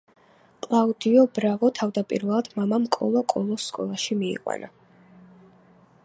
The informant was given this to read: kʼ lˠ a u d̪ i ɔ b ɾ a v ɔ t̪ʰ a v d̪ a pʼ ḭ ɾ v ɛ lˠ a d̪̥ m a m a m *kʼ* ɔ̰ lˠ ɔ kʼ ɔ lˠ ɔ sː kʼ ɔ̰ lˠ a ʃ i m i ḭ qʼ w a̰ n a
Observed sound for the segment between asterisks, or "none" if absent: kʼ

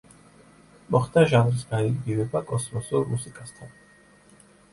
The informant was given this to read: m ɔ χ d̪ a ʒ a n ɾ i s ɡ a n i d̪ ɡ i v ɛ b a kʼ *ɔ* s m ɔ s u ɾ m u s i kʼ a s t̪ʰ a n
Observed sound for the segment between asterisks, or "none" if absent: ɔ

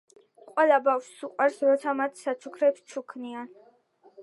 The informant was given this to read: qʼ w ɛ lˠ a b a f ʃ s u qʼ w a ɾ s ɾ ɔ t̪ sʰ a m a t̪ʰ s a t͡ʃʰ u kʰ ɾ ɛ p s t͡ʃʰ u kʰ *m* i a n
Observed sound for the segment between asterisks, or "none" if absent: n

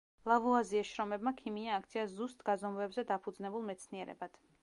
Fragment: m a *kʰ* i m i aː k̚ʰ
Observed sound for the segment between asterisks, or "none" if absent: kʰ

